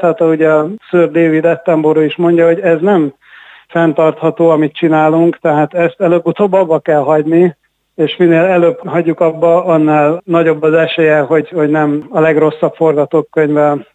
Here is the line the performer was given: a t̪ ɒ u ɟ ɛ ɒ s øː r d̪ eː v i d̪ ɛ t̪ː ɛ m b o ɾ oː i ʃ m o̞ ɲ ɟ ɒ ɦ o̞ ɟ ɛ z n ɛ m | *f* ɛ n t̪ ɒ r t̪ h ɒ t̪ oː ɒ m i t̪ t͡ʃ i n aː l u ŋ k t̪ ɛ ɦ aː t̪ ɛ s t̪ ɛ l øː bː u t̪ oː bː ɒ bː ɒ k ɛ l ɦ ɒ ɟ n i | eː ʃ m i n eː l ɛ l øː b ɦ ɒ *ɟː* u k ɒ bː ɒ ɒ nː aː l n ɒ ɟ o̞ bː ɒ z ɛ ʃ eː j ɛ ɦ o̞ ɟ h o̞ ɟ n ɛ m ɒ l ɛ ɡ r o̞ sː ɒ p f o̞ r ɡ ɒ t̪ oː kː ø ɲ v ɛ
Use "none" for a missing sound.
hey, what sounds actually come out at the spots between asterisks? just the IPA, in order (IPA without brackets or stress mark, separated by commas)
f, ɟː